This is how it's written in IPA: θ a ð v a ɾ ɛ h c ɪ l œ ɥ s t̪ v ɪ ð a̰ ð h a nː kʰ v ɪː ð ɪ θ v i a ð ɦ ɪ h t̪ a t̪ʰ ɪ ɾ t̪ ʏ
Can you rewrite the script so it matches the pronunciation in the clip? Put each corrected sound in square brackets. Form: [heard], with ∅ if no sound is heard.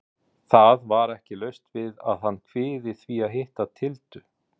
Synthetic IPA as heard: θ a ð v a ɾ ɛ h c ɪ l œ ɥ s t̪ v ɪ ð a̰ ð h a nː kʰ v ɪː ð ɪ θ v i a ð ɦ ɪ h t̪ a t̪ʰ ɪ [l] t̪ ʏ